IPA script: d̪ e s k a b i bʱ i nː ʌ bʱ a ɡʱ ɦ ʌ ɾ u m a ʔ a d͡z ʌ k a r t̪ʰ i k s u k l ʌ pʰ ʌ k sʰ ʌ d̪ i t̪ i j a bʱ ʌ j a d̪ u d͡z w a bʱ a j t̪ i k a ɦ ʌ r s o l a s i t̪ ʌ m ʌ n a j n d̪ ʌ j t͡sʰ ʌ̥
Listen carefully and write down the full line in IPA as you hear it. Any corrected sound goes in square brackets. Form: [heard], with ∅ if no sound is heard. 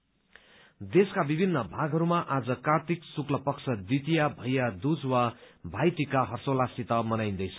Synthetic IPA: d̪ e s k a b i bʱ i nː ʌ bʱ a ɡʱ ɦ ʌ ɾ u m a ʔ a d͡z ʌ k a r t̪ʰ i k s u k l ʌ [p] ʌ k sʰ ʌ d̪ i t̪ i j a bʱ ʌ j a d̪ u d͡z w a bʱ a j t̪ i k a ɦ ʌ r s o l a s i t̪ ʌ m ʌ n a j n d̪ ʌ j t͡sʰ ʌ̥